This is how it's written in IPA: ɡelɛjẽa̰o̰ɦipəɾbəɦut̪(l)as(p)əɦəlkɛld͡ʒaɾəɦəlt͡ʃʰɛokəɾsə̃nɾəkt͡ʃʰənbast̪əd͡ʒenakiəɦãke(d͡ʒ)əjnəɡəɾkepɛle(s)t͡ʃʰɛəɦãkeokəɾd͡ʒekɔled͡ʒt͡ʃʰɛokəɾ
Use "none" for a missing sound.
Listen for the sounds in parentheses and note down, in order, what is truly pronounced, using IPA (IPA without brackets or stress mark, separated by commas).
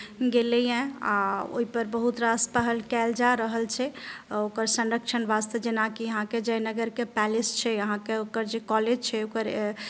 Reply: ɾ, p, d͡ʒ, s